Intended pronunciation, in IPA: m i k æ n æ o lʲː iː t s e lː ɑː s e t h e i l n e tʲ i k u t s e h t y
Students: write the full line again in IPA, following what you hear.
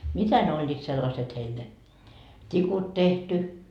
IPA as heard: m i t æ n e o lʲː iː t s e lː ɑ s e t h e i l n e tʲ i k u t t e h t y